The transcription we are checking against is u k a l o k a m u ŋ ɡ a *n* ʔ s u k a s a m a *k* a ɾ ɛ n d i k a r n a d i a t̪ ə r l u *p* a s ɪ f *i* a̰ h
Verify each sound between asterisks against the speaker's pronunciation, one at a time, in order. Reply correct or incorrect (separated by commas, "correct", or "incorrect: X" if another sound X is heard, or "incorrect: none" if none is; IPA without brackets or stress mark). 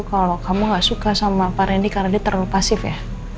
incorrect: none, incorrect: p, correct, incorrect: j